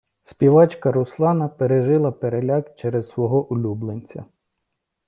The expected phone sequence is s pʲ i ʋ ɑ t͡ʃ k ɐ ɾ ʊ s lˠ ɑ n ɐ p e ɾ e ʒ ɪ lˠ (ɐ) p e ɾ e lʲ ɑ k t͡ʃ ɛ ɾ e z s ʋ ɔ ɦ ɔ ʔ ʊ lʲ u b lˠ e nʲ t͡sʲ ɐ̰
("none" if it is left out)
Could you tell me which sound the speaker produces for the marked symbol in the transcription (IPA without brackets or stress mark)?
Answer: ɐ